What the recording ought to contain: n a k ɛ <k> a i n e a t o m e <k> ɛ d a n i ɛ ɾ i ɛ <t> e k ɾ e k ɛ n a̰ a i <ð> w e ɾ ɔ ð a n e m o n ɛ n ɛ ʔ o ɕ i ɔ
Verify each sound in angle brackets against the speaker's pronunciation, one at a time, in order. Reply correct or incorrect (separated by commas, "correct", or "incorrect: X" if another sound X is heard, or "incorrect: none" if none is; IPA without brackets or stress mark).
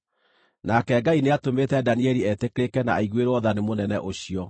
incorrect: ɡ, incorrect: t, correct, incorrect: ɣ